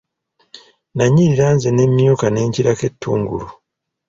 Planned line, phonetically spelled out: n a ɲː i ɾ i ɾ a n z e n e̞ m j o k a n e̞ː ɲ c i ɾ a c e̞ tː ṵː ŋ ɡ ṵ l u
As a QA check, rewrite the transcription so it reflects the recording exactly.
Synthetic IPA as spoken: n a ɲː i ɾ i ɾ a n z e n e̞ m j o k a n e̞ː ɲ c i ɾ a k e̞ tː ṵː ŋ ɡ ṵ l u